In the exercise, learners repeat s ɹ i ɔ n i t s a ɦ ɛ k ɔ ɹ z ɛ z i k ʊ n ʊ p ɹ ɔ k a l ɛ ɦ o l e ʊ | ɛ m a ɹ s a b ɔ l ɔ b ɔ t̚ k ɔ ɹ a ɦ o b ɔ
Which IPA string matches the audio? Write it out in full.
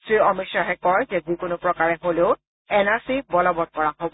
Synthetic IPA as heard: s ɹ i ɔ m i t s a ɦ ɛ k ɔ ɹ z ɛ z i k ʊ n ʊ p ɹ ɔ k a ɹ ɛ ɦ o l e ʊ | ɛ n a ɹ s i b ɔ l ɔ b ɔ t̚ k ɔ ɹ a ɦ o b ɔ